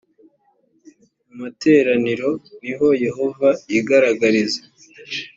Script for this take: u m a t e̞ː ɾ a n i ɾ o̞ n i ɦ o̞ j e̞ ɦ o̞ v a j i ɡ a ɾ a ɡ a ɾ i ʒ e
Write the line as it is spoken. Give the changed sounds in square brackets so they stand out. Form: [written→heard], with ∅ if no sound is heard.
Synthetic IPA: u m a t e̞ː ɾ a n i ɾ o̞ n i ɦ o̞ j e̞ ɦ o̞ v a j i ɡ a ɾ a ɡ a ɾ i [ʒ→z] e